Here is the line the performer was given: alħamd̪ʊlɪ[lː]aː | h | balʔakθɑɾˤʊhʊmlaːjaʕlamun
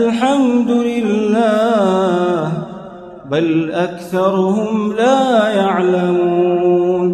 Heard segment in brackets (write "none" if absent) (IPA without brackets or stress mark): lː